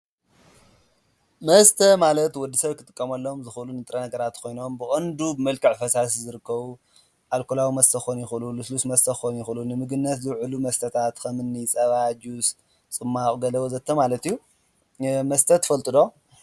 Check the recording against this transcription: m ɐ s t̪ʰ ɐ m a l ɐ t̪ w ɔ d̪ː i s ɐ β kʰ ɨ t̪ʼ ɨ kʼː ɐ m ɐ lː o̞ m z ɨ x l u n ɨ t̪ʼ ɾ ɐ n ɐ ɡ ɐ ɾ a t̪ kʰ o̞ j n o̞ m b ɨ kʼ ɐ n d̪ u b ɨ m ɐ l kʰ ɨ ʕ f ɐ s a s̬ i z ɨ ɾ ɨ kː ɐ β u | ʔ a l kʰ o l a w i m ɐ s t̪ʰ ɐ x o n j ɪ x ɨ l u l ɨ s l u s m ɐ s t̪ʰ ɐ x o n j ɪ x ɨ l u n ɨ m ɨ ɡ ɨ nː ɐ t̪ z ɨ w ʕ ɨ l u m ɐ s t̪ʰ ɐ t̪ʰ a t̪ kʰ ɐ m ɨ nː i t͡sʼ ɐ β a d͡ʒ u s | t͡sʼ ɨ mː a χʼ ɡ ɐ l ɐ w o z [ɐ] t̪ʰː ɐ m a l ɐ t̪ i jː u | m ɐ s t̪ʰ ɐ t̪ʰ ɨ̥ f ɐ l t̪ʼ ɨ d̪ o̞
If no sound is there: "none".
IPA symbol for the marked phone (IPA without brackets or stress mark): ɐ